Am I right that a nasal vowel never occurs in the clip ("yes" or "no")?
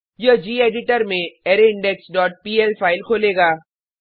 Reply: no